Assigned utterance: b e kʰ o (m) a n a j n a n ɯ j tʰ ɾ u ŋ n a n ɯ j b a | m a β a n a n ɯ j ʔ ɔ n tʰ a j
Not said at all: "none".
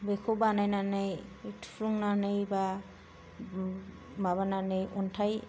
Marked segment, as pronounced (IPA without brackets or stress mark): b